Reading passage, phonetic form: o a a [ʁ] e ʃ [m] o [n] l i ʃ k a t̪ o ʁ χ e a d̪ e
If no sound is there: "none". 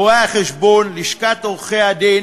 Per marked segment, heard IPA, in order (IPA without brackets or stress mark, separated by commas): χ, b, n